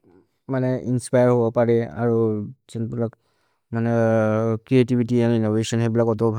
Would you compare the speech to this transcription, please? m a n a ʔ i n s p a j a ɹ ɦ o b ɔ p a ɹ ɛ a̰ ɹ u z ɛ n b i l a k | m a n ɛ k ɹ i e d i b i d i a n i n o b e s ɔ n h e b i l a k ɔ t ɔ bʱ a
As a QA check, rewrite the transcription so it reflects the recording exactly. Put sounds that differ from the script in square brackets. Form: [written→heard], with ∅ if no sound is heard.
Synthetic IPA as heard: m a n [a→ɛ] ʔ i n s p a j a ɹ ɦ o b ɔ p a ɹ ɛ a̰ ɹ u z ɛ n b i l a k | m a n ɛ k ɹ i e [d→t] i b i [d→t] i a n i n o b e s ɔ n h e b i l a k ɔ t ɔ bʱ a